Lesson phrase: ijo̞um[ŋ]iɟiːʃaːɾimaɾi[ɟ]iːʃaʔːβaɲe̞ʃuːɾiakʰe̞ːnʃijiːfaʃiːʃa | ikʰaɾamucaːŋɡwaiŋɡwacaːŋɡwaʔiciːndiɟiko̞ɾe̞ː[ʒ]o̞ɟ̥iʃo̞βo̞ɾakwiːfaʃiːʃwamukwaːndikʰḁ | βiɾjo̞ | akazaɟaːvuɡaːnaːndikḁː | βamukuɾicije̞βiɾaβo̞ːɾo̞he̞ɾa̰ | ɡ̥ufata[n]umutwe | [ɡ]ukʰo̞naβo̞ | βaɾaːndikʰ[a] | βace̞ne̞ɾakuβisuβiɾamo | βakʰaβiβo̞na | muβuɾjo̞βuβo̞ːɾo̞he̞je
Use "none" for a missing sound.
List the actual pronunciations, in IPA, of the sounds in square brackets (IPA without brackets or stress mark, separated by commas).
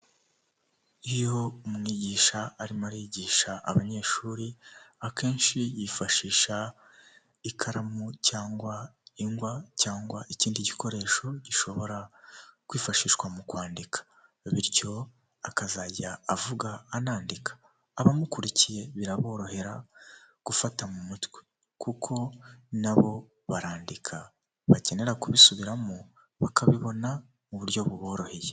ŋ, ɟ, ʃ, m, k, a